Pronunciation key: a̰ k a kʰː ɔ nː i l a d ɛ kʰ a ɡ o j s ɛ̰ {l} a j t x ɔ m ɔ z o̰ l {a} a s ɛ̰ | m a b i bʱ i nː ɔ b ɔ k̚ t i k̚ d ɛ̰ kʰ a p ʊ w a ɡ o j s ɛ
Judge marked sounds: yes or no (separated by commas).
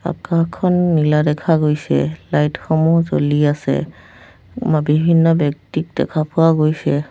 yes, no